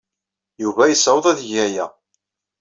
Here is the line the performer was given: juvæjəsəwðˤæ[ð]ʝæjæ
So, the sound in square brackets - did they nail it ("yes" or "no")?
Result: yes